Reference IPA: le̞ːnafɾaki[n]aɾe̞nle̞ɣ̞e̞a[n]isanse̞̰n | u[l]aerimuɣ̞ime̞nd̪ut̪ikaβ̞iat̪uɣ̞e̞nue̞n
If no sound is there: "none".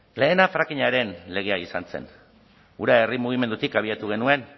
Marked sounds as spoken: ɲ, none, ɾ

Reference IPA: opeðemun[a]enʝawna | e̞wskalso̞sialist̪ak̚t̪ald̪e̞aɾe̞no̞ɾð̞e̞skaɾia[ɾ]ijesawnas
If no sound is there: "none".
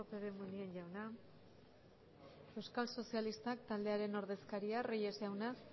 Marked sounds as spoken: i, r

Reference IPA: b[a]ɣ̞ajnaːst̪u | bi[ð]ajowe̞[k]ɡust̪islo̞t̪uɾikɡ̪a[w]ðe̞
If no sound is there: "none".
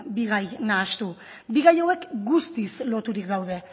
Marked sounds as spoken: i, ɣ, k, w

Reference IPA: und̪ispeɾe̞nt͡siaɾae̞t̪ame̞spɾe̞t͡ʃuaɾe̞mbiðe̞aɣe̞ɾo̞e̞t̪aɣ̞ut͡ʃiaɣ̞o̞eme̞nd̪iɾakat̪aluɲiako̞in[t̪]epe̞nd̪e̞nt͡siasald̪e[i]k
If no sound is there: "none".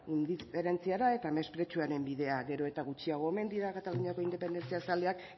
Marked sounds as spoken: d̪, a

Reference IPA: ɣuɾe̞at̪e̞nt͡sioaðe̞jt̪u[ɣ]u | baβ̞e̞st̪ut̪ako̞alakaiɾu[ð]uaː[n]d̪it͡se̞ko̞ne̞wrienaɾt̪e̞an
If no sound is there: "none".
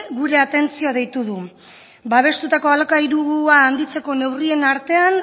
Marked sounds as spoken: ð, ɣ, n

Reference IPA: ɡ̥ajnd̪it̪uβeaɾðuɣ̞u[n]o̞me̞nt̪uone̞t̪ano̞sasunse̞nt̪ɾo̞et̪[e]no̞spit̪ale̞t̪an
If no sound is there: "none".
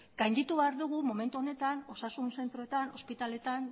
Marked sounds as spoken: m, a

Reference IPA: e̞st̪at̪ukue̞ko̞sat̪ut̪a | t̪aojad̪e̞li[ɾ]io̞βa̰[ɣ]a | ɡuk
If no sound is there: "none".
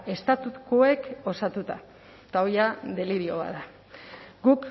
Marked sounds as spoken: ɾ, ð

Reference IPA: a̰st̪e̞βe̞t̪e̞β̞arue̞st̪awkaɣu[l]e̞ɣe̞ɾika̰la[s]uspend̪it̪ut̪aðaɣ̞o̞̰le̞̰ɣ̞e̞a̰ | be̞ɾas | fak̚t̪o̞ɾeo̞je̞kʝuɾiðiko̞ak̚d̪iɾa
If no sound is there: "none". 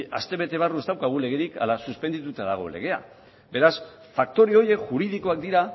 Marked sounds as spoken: l, s

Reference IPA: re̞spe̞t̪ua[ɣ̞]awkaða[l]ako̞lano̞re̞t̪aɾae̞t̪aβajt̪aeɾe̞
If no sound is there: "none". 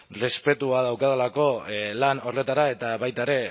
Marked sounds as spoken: ð̞, l

